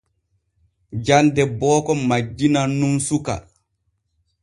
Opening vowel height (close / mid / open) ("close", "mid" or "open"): open